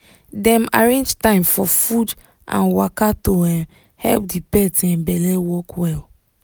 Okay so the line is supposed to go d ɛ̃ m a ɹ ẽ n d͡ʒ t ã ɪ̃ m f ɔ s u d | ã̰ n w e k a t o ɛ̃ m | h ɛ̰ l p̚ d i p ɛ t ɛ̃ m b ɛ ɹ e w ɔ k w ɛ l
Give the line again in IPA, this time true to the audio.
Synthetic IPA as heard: d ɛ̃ m a ɹ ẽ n d͡ʒ t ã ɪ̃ m f ɔ f u d | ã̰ n w a k a t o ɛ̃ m | h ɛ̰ l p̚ d i p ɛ t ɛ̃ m b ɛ l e w ɔ k w ɛ l